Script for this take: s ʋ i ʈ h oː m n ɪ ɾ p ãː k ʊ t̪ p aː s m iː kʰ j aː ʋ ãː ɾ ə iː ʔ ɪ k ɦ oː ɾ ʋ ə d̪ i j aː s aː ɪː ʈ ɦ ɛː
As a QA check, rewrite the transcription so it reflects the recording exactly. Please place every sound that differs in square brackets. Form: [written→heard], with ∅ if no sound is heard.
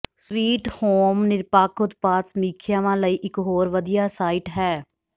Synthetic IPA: s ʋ [i→iː] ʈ h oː m n ɪ ɾ p [ãː→aː] k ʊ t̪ p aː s m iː kʰ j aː ʋ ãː [ɾ→l] ə iː ʔ ɪ k ɦ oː ɾ ʋ ə d̪ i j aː s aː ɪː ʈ ɦ ɛː